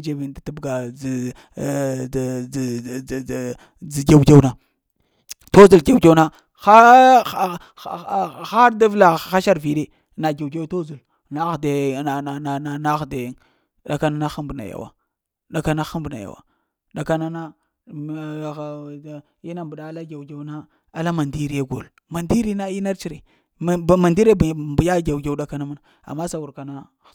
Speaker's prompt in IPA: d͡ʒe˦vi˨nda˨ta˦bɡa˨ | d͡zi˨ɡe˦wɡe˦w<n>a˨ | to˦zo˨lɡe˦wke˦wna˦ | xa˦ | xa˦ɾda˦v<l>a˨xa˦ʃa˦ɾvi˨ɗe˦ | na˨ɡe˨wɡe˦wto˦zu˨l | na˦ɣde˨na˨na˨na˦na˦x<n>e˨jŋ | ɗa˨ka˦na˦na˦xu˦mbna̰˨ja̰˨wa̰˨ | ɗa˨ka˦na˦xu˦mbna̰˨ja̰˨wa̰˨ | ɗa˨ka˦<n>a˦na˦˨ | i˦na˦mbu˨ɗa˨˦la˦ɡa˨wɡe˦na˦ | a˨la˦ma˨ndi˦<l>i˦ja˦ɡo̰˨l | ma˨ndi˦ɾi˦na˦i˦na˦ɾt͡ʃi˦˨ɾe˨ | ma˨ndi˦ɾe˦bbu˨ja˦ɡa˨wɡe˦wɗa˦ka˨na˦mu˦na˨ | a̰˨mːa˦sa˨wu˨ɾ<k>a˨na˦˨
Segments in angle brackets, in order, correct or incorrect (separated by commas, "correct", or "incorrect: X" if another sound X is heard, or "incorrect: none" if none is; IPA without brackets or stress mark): correct, correct, incorrect: d, correct, incorrect: ɾ, correct